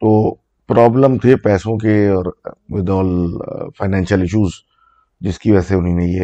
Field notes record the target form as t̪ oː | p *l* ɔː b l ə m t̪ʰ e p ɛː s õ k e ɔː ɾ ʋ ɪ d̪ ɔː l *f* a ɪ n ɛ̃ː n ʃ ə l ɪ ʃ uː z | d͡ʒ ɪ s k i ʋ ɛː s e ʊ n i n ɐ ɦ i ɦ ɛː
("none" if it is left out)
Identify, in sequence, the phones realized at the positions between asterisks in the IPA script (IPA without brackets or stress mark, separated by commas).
ɾ, f